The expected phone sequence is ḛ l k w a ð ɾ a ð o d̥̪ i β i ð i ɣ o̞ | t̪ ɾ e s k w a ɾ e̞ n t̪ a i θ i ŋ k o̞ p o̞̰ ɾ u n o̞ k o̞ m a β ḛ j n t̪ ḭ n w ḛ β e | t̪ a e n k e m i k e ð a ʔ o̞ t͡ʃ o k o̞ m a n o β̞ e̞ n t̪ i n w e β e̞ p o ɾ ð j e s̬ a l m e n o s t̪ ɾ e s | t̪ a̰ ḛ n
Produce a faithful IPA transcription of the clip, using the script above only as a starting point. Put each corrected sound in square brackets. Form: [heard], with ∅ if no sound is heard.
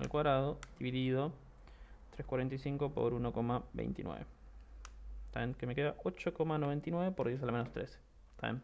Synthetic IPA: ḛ l k w a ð ɾ a ð o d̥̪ i β i ð i [ð] o̞ | t̪ ɾ e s k w a ɾ e̞ n t̪ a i [s] i ŋ k o̞ p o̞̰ ɾ u n o̞ k o̞ m a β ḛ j n t̪ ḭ n w ḛ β e | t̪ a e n k e m [e] k e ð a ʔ o̞ t͡ʃ o k o̞ m a n o β̞ e̞ n t̪ i n w e β e̞ p o ɾ ð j e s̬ a l m e n o s t̪ ɾ e s | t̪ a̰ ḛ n